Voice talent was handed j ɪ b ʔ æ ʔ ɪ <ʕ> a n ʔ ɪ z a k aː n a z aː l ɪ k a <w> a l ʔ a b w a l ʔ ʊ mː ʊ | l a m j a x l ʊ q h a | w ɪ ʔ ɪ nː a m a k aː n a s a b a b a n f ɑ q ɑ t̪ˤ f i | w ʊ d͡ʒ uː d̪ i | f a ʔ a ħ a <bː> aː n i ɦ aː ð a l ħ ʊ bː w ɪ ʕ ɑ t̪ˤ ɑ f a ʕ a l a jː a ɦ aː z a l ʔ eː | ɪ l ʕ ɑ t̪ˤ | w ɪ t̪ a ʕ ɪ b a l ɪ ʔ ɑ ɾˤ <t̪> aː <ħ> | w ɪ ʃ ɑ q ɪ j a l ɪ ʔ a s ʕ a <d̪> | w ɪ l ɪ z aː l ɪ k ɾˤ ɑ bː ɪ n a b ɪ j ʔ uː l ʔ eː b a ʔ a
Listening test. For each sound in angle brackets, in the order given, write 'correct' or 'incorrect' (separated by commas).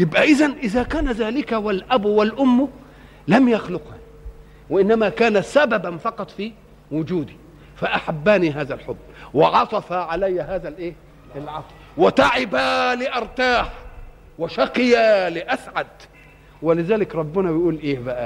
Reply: incorrect, correct, correct, correct, correct, correct